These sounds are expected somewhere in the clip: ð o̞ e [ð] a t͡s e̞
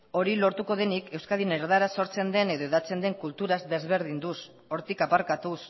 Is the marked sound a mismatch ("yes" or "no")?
no